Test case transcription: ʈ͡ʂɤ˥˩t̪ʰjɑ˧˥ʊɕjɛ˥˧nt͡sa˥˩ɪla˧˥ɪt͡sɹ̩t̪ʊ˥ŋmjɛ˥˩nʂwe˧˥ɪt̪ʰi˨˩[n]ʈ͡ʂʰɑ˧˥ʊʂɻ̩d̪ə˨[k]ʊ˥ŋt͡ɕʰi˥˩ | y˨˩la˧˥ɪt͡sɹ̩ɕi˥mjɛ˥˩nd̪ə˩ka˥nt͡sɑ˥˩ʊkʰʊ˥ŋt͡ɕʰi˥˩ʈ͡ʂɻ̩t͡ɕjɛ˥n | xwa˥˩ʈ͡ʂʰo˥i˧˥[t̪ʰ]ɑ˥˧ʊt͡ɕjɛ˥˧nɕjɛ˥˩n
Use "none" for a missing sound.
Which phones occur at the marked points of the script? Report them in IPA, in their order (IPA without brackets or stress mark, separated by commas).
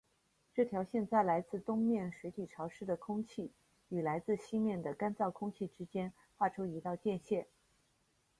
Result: none, kʰ, t̪